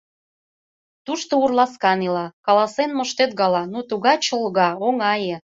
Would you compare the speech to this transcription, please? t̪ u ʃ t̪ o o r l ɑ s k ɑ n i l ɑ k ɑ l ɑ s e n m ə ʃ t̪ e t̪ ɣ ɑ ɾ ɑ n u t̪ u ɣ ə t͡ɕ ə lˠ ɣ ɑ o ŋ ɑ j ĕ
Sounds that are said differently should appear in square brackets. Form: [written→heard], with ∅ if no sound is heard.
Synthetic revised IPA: t̪ u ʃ t̪ o [o→u] r l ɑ s k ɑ n i l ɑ k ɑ l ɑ s e n m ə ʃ t̪ e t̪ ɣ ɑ [ɾ→l] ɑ n u t̪ u ɣ [ə→ɑ] t͡ɕ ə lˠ ɣ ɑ o ŋ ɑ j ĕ